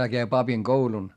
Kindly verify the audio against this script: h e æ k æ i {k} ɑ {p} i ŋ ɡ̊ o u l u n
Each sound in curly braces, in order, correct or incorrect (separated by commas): incorrect, correct